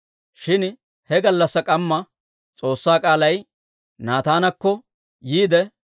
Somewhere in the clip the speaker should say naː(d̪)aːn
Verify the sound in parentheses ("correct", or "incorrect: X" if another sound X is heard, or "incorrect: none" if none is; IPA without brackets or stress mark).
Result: incorrect: t̪